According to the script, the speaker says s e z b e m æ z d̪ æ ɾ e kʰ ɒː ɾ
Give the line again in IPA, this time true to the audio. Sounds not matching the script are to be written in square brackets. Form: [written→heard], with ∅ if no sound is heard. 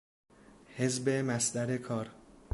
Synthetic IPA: [s→h] e z b e m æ [z→s] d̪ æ ɾ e kʰ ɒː ɾ